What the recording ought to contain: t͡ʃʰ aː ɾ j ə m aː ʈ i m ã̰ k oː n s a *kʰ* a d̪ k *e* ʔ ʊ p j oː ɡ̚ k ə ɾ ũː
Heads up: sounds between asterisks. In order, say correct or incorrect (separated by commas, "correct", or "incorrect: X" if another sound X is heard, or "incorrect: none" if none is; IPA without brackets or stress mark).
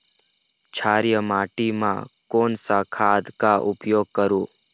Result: correct, incorrect: a